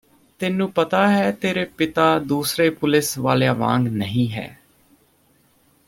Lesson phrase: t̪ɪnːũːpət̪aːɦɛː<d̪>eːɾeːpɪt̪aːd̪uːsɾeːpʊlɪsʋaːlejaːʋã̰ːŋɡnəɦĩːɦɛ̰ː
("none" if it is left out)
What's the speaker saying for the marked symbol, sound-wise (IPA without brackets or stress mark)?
t̪